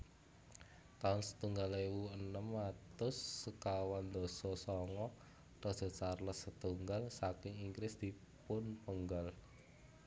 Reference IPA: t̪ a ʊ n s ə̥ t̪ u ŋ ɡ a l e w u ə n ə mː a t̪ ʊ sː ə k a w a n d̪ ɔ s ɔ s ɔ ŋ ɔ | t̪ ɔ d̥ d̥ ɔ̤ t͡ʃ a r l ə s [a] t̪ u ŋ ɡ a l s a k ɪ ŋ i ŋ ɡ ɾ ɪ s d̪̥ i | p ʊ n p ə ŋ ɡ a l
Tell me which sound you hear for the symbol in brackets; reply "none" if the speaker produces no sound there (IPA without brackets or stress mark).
ə